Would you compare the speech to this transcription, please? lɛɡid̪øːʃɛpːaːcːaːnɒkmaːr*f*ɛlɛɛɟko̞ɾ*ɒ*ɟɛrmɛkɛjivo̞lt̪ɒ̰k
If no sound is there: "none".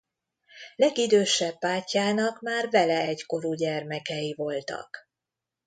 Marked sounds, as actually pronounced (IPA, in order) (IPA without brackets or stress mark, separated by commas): v, u